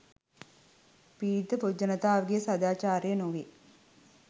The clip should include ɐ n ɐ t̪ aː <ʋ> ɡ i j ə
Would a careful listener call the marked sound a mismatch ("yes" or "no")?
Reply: no